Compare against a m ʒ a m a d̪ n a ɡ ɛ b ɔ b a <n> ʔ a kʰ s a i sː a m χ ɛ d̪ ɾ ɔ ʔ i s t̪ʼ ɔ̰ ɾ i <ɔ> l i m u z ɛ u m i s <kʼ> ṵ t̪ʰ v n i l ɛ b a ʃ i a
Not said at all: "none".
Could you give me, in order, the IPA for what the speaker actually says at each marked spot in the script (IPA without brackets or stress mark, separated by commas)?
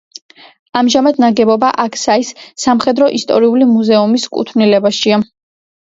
none, u, kʼ